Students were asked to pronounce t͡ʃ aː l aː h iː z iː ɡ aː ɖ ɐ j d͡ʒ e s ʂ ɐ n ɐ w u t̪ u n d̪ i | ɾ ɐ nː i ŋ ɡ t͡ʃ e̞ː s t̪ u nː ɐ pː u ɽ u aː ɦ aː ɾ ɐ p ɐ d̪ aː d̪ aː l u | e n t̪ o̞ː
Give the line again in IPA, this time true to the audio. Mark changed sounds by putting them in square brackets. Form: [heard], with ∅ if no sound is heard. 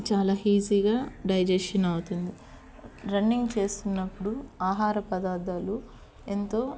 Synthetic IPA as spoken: t͡ʃ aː l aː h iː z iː ɡ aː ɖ ɐ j d͡ʒ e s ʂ ɐ n ɐ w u t̪ u n d̪ i | ɾ ɐ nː i ŋ ɡ t͡ʃ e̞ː s t̪ u nː ɐ pː u ɽ u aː ɦ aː ɾ ɐ p ɐ d̪ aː d̪ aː l u | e n t̪ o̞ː

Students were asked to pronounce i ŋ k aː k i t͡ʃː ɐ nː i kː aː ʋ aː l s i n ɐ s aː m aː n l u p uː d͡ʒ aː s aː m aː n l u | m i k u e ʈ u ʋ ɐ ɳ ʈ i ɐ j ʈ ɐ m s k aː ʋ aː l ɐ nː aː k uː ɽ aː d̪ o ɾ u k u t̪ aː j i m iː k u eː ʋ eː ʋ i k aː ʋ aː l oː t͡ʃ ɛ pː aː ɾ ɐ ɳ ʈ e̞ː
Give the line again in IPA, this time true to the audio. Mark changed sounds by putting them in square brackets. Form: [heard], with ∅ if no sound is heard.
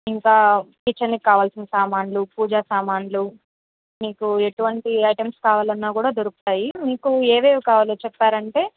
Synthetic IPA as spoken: i ŋ k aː k i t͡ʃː ɐ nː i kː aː ʋ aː l s i n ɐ s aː m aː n l u p uː d͡ʒ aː s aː m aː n l u | m [iː] k u e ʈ u ʋ ɐ ɳ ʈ i ɐ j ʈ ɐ m s k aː ʋ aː l ɐ nː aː k uː ɽ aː d̪ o ɾ u k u t̪ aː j i m iː k u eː ʋ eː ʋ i k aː ʋ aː l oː t͡ʃ ɛ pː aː ɾ ɐ ɳ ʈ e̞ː

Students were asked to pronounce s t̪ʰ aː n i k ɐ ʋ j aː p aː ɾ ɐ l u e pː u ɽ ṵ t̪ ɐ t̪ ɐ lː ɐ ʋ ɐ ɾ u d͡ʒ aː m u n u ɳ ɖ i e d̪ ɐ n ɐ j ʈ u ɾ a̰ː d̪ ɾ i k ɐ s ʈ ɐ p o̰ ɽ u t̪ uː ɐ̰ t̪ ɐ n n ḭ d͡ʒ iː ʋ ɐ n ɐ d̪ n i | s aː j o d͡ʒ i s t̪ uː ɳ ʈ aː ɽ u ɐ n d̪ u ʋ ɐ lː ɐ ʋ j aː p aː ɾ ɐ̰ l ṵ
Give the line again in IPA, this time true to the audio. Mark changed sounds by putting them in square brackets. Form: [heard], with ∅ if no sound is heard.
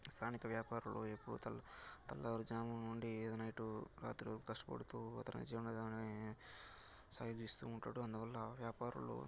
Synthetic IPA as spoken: s t̪ʰ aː n i k ɐ ʋ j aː p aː ɾ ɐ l u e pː u ɽ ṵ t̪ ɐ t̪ ɐ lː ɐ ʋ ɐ ɾ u d͡ʒ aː m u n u ɳ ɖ i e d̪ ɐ n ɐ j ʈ u ɾ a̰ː [t̪] ɾ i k ɐ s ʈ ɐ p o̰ ɽ u t̪ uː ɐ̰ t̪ ɐ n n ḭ d͡ʒ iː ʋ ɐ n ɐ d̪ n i | s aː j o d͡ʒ i s t̪ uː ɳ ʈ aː ɽ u ɐ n d̪ u ʋ ɐ lː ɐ ʋ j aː p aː ɾ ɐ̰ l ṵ

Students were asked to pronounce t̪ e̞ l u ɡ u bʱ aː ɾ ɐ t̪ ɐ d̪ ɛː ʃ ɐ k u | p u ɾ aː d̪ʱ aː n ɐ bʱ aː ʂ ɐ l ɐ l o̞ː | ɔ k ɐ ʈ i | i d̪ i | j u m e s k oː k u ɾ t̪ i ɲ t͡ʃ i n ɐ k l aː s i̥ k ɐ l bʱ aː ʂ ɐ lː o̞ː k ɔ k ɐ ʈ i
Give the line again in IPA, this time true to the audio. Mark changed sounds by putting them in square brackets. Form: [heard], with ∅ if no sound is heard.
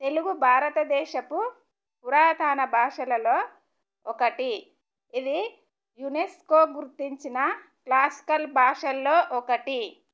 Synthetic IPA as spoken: t̪ e̞ l u ɡ u bʱ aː ɾ ɐ t̪ ɐ d̪ ɛː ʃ ɐ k u | p u ɾ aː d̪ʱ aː n ɐ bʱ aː ʂ ɐ l ɐ l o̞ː | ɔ k ɐ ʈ i | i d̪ i | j u [n] e s k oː [ɡ] u ɾ t̪ i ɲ t͡ʃ i n ɐ k l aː s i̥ k ɐ l bʱ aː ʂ ɐ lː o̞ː [ʔ] ɔ k ɐ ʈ i

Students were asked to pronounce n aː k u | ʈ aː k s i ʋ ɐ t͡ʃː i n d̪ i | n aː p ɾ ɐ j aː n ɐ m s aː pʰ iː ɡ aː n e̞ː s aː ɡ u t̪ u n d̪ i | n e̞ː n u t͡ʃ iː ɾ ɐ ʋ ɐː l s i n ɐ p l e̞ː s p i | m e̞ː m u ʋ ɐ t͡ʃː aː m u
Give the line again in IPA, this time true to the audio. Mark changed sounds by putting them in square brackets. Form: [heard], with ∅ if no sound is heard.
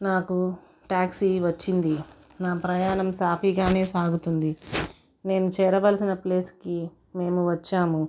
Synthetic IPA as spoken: n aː k u | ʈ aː k s i ʋ ɐ t͡ʃː i n d̪ i | n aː p ɾ ɐ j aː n ɐ m s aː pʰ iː ɡ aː n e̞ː s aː ɡ u t̪ u n d̪ i | n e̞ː n u t͡ʃ [ɛː] ɾ ɐ ʋ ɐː l s i n ɐ p l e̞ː s [k] i | m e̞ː m u ʋ ɐ t͡ʃː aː m u

